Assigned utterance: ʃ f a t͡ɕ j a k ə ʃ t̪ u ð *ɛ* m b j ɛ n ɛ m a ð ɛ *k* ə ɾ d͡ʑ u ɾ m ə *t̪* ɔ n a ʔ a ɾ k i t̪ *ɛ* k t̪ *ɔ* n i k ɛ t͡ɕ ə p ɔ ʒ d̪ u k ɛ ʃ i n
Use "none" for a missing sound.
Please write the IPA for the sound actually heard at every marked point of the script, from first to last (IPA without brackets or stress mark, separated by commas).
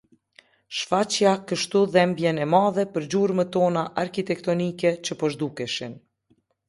ɛ, p, t̪, ɛ, ɔ